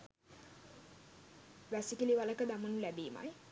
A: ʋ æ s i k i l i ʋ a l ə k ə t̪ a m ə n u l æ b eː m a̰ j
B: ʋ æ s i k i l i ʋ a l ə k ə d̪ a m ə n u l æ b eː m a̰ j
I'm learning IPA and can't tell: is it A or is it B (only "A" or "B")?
B